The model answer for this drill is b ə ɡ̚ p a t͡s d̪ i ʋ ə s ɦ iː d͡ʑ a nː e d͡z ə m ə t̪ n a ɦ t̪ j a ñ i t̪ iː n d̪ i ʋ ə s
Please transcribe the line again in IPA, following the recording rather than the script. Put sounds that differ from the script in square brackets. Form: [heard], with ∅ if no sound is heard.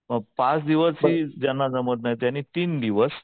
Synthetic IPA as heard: [m] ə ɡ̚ p a t͡s d̪ i ʋ ə s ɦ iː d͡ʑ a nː [a] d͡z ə m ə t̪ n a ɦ t̪ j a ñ i t̪ iː n d̪ i ʋ ə s

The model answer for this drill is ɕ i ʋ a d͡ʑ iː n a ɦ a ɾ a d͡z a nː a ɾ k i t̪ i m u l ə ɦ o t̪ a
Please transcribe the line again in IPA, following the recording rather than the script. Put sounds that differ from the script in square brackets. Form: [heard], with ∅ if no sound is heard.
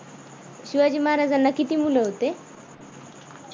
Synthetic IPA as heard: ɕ i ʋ a d͡ʑ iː [m] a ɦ a ɾ a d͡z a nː a [∅] k i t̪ i m u l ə ɦ o t̪ [e]

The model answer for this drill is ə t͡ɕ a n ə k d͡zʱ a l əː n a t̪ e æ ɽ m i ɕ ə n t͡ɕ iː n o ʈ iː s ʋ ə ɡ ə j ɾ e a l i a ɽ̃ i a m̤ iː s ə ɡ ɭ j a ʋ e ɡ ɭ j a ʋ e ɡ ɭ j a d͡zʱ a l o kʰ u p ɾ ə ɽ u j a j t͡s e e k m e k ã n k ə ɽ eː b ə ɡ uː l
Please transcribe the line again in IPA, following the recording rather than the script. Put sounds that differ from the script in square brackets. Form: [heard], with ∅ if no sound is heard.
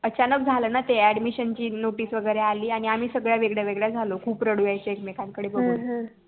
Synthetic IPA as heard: ə t͡ɕ a n ə k d͡zʱ a l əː n a t̪ e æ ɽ m i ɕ ə n t͡ɕ iː n o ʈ iː s ʋ ə ɡ ə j ɾ e a l [iː] a ɽ̃ i a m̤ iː s ə ɡ ɭ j a ʋ e ɡ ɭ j a ʋ e ɡ ɭ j a d͡zʱ a l o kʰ [uː] p ɾ ə ɽ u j a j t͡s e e k m e k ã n k ə ɽ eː b ə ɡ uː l

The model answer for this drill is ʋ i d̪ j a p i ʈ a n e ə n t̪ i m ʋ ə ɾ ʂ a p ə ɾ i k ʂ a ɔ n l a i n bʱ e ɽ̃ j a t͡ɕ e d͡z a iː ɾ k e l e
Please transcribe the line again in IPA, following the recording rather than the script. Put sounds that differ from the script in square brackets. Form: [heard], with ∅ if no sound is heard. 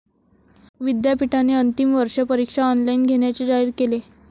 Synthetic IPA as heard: ʋ i d̪ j a p i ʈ a n e ə n t̪ i m ʋ ə ɾ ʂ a p ə ɾ i k ʂ a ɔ n l a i n [ɡʱ] e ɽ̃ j a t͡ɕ e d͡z a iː ɾ k e l e

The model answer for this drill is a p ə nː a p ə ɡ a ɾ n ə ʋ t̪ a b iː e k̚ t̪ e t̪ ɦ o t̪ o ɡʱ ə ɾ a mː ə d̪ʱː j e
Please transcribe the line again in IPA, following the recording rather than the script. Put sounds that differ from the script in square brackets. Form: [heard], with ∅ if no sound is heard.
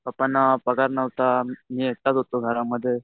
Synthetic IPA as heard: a p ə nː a p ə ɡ a ɾ n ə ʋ t̪ a [m] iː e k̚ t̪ [a] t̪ ɦ o t̪ o ɡʱ ə ɾ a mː ə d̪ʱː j e

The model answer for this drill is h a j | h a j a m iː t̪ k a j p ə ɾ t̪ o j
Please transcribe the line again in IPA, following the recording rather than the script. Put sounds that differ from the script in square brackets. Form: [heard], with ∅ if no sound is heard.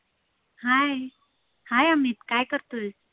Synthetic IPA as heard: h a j | h a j a m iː t̪ k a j [k] ə ɾ t̪ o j

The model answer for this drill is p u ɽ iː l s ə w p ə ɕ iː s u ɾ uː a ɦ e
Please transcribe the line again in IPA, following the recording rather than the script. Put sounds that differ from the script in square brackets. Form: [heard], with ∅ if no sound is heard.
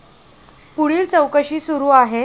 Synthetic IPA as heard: p u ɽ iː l [t͡s] ə w [k] ə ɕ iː s u ɾ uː a ɦ e

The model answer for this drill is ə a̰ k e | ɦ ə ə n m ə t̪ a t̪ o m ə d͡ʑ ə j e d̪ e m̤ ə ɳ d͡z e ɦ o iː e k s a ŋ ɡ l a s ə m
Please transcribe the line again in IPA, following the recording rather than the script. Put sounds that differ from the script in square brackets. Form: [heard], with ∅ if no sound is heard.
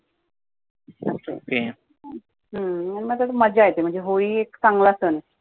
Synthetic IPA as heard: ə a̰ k e | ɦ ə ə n m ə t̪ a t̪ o m ə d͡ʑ [a] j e [t̪] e m̤ ə ɳ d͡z e ɦ o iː e k s a ŋ ɡ l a s ə [n]

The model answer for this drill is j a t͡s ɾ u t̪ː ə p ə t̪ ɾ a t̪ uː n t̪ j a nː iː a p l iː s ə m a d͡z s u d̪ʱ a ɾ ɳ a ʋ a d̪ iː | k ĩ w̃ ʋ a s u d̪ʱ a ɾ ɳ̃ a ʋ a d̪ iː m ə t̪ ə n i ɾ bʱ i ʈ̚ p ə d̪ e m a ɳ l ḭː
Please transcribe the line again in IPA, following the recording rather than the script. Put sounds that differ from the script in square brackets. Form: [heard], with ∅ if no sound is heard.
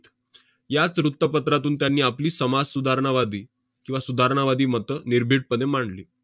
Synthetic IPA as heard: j a t͡s ɾ u t̪ː ə p ə t̪ ɾ a t̪ uː n t̪ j a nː iː a p l iː s ə m a d͡z s u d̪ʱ a ɾ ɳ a ʋ a d̪ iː | k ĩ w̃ ʋ a s u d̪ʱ a ɾ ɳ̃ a ʋ a d̪ iː m ə t̪ ə n i ɾ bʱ i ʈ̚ p ə d̪ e m a ɳ l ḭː

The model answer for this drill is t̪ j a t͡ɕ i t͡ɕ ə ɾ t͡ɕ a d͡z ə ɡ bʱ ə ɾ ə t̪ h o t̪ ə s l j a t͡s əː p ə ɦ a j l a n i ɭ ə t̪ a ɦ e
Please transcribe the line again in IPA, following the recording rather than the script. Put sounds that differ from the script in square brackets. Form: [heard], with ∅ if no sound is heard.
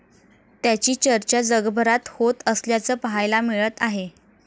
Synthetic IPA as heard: t̪ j a t͡ɕ [iː] t͡ɕ ə ɾ t͡ɕ a d͡z ə ɡ bʱ ə ɾ [a] t̪ h o t̪ ə s l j a t͡s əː p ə ɦ a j l a [m] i ɭ ə t̪ a ɦ e

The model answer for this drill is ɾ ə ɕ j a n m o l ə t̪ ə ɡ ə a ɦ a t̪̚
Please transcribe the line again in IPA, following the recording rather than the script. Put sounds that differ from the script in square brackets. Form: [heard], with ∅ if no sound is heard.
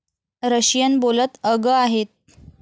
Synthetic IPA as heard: ɾ ə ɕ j [ə] n [b] o l ə t̪ ə ɡ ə a ɦ [e] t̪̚

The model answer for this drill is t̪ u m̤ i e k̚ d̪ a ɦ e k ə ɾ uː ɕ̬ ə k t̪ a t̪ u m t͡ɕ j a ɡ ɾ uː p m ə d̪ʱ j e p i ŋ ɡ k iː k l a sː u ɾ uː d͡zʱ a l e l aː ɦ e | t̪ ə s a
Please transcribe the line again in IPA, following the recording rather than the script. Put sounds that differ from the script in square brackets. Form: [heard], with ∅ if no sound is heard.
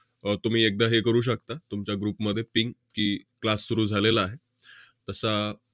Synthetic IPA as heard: t̪ u m̤ [iː] e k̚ d̪ a ɦ e k ə ɾ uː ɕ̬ ə k t̪ a t̪ u m t͡ɕ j a ɡ ɾ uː p m ə d̪ʱ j e p i ŋ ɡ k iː k l a sː u ɾ uː d͡zʱ a l e l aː ɦ e | t̪ ə s a

